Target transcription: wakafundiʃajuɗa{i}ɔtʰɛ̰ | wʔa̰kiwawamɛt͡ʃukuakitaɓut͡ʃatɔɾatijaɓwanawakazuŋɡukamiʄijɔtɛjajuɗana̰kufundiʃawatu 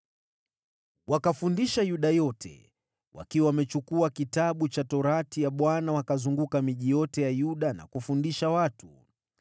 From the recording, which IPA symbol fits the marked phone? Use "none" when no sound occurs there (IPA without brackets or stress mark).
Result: j